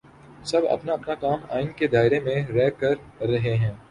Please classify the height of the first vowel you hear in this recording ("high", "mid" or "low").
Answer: low